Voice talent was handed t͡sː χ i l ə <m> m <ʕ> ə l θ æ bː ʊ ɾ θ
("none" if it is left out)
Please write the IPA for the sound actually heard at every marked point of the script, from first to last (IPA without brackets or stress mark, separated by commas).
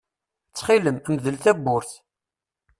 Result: m, ð